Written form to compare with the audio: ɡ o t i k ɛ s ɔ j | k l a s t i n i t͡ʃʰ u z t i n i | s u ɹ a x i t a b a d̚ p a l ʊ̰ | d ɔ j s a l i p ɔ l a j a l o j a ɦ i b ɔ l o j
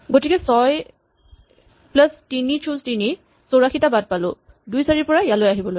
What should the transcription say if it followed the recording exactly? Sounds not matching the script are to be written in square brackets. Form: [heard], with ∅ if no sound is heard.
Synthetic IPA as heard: ɡ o t i k ɛ s ɔ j | [p] l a s t i n i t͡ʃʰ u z t i n i | s [o] ɹ a x i t a b a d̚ p a l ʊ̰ | d [u] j s a [ɹ] i p ɔ [ɹ] a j a l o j a ɦ i b ɔ l o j